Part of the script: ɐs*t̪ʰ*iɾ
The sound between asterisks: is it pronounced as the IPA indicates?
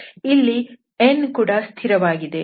yes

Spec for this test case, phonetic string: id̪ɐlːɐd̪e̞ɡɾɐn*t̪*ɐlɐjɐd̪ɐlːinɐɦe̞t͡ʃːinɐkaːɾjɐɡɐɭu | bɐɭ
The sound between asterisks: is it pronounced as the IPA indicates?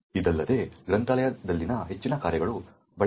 yes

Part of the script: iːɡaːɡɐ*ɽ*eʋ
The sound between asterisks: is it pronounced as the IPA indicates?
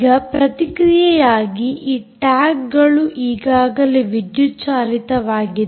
no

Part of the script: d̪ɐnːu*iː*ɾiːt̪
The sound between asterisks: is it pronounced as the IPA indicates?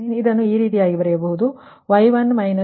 yes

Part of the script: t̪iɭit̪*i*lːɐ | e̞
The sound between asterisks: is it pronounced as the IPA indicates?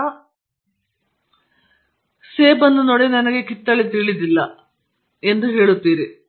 yes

